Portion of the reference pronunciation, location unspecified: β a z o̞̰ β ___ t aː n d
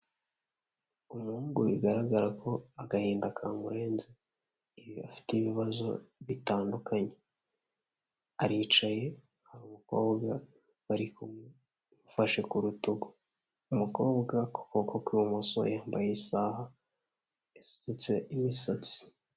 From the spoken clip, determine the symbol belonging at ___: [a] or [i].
i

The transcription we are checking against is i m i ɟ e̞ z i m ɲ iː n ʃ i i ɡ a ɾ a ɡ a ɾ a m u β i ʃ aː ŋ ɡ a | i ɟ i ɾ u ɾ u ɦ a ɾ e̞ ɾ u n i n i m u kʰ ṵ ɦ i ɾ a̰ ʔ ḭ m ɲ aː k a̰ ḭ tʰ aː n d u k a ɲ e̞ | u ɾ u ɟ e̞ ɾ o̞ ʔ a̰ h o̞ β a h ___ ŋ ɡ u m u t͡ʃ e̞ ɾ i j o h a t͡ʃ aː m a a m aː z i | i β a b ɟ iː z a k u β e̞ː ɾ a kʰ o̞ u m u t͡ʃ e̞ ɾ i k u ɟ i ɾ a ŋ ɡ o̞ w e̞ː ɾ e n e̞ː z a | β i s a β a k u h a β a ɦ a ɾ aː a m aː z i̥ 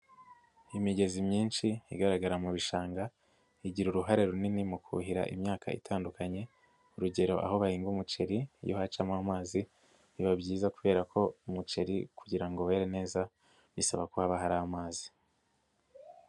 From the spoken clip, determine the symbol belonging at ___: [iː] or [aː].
iː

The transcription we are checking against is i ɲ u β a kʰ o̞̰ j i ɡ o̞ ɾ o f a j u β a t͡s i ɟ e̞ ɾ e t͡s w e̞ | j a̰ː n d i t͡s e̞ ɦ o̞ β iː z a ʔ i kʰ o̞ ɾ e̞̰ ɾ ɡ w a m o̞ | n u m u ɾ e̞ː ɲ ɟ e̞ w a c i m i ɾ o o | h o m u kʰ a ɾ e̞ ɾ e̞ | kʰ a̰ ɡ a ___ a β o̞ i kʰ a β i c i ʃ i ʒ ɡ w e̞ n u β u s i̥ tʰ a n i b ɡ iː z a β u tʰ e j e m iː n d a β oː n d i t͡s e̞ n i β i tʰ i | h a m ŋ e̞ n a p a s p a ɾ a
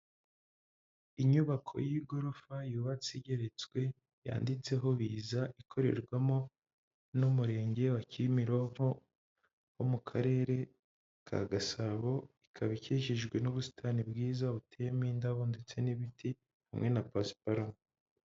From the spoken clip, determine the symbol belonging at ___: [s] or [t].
s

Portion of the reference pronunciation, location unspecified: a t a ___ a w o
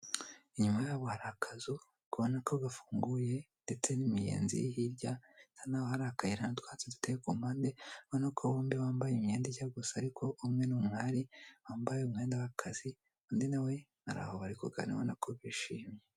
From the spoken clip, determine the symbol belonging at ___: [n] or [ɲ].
n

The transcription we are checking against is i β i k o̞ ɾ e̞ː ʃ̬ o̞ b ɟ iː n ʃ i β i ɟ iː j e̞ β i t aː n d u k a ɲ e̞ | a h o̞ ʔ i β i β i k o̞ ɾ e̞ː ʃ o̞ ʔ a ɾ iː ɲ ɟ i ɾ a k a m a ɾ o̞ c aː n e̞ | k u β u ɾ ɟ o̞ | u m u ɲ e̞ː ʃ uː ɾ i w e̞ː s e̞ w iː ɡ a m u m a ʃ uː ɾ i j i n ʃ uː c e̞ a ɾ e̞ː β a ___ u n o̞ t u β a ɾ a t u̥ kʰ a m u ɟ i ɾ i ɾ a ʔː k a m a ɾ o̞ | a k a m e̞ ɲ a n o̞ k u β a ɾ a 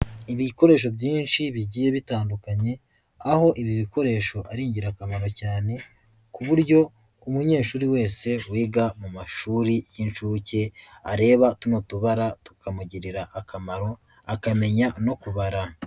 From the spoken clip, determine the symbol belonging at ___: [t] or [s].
t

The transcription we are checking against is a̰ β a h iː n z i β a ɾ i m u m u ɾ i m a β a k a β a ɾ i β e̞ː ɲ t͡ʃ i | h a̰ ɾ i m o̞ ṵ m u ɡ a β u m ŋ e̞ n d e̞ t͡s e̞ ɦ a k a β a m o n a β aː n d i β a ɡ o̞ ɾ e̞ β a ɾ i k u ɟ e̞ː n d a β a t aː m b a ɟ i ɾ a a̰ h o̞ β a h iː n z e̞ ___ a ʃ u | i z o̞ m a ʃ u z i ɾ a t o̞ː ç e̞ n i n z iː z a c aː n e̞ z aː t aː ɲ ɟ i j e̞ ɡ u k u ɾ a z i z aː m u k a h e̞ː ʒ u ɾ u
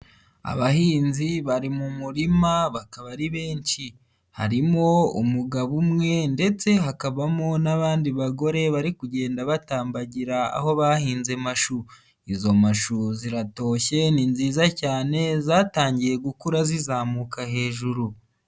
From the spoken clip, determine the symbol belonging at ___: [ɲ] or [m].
m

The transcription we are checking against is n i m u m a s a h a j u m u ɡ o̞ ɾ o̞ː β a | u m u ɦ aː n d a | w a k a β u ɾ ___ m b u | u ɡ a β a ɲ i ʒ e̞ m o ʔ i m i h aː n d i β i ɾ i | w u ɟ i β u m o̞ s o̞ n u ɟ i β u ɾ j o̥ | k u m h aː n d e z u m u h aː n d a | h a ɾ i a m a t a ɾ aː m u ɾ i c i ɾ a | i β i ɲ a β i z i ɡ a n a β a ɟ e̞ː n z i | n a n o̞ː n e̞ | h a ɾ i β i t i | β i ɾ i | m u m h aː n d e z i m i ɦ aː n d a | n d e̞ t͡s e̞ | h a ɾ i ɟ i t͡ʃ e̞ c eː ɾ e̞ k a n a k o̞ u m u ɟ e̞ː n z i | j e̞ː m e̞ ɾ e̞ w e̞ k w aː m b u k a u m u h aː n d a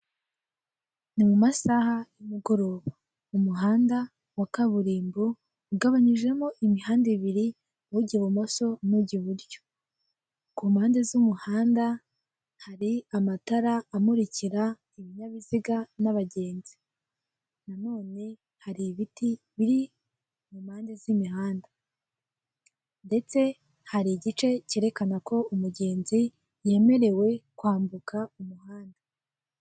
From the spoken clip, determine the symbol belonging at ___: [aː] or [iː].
iː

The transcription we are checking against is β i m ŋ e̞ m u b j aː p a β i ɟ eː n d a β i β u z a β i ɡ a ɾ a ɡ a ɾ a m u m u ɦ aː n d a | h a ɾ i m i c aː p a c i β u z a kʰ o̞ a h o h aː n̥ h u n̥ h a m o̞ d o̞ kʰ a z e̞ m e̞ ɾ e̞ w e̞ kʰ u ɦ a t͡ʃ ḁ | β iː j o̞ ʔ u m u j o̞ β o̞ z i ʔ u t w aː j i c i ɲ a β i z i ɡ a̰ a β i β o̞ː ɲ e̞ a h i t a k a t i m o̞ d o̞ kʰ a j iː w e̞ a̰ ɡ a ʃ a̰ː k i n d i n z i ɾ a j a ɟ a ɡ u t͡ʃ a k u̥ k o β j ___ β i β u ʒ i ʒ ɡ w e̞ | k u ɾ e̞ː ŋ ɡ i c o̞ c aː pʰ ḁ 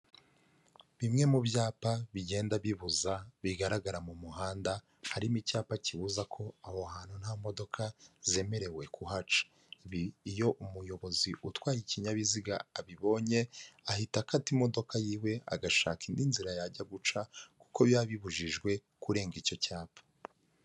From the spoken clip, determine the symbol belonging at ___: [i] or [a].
a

